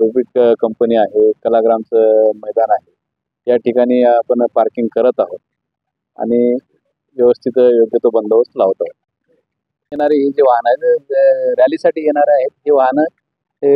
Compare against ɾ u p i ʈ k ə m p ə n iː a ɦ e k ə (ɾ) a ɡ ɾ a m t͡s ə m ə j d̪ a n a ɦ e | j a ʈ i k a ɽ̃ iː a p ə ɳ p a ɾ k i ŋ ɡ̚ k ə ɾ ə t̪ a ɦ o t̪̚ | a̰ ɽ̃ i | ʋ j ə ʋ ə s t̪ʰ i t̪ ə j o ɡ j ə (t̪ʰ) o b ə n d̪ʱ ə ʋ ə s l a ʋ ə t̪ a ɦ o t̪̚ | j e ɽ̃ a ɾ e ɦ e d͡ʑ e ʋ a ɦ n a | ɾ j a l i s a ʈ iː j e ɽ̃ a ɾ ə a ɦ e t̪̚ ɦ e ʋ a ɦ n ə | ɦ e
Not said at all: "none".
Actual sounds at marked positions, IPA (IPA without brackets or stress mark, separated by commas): l, t̪